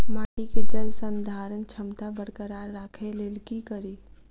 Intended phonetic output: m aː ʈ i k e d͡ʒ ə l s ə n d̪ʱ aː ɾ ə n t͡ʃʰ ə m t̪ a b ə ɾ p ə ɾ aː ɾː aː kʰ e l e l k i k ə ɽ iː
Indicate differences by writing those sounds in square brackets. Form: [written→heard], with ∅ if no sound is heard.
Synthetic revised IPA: m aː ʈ i k e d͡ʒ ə l s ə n d̪ʱ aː ɾ ə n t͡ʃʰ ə m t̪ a b ə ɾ [p→k] ə ɾ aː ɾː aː kʰ e l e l k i k ə [ɽ→ɾ] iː